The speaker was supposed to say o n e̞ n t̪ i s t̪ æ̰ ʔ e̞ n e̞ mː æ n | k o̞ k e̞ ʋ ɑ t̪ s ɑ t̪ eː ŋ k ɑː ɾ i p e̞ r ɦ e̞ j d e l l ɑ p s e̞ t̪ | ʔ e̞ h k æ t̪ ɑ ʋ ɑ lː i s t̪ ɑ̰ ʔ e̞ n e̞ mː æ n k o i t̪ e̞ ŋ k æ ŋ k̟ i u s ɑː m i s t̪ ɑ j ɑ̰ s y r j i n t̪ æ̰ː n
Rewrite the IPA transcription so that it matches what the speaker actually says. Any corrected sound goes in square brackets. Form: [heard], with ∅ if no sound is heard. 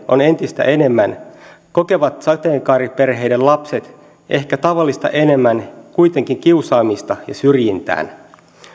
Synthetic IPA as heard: o n e̞ n t̪ i s t̪ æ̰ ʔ e̞ n e̞ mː æ n | k o̞ k e̞ ʋ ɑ t̪ s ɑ t̪ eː ŋ k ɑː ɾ i p e̞ r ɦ e̞ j d e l l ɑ p s e̞ t̪ | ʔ e̞ h k æ t̪ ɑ ʋ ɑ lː i s t̪ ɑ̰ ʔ e̞ n e̞ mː æ n k [u] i t̪ e̞ ŋ k [i] ŋ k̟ i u s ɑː m i s t̪ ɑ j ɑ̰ s y r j i n t̪ æ̰ː n